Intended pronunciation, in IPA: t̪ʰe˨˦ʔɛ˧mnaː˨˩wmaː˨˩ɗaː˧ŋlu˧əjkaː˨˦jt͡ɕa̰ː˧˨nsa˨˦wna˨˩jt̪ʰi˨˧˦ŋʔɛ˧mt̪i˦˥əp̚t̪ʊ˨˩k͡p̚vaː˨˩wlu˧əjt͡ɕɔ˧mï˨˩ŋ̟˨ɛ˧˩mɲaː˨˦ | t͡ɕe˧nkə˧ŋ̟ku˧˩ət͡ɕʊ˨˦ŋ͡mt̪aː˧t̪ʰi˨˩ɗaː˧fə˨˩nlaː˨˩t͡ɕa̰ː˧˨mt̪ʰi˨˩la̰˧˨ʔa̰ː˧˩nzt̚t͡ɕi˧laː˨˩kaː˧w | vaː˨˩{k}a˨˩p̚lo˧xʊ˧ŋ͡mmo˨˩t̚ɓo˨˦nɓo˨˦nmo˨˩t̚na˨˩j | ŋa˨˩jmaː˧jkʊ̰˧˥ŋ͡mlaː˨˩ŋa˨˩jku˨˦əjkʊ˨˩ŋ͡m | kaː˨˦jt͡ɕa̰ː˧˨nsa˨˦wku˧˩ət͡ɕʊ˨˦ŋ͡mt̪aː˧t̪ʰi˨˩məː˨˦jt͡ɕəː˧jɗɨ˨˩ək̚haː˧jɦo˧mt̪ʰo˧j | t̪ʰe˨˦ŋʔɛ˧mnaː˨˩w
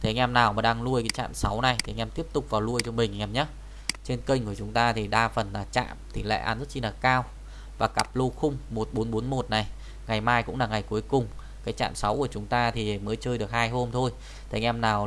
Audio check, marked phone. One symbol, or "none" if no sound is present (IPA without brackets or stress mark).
k